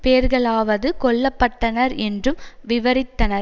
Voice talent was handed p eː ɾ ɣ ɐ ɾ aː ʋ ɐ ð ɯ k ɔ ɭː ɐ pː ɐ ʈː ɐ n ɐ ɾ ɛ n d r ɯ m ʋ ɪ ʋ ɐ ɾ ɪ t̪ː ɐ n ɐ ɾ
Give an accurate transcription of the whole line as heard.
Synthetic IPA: p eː ɾ ɣ ɐ ɭ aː ʋ ɐ ð ɯ k ɔ ɭː ɐ pː ɐ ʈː ɐ n ɐ ɾ ɛ n d r ɯ m ʋ ɪ ʋ ɐ ɾ ɪ t̪ː ɐ n ɐ ɾ